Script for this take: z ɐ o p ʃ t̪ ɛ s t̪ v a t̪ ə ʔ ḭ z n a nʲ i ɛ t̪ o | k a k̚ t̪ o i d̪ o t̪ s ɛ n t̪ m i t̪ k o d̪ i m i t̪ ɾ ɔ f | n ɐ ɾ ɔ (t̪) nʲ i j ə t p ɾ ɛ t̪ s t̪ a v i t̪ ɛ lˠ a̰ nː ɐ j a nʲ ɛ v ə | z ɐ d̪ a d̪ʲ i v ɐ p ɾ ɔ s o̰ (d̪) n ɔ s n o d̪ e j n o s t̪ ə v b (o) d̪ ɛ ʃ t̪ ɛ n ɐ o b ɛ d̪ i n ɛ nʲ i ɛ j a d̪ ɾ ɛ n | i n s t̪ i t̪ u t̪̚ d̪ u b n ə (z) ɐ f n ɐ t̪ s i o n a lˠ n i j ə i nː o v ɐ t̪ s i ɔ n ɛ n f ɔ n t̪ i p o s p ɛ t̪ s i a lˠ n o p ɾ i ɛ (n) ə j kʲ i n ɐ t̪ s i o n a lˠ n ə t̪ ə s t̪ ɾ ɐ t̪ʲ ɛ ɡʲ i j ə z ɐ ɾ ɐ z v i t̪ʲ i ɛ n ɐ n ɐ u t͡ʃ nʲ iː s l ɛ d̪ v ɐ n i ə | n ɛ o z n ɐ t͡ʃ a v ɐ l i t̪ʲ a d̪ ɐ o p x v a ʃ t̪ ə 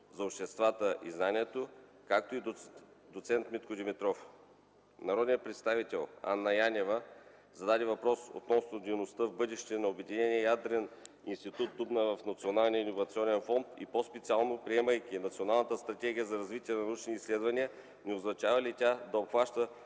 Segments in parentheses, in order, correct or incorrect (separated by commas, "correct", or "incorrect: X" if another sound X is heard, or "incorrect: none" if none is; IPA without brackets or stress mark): incorrect: d̪, incorrect: t̪, incorrect: ɤ, incorrect: v, incorrect: m